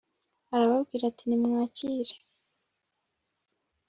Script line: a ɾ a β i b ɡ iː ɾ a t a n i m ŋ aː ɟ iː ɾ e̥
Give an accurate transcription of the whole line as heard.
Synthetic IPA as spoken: a ɾ a β a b ɡ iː ɾ a t i n i m ŋ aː c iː ɾ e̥